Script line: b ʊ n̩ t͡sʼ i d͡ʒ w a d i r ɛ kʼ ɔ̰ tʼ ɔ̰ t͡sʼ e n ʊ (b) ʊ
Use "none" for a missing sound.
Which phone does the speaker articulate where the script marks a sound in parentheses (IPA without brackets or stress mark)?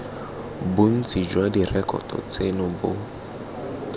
b